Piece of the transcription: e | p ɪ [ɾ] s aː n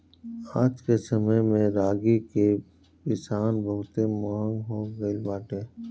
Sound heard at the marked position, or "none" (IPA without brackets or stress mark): none